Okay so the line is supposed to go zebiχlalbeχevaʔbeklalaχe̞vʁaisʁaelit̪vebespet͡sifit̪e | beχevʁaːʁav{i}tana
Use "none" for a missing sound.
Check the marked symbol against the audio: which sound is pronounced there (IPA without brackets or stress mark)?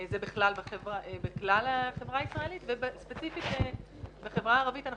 i